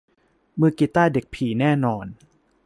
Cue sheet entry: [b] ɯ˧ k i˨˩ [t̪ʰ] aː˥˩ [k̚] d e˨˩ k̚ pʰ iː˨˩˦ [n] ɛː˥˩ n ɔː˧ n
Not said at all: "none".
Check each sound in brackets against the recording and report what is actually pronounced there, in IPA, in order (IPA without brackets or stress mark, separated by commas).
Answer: m, t̪, none, n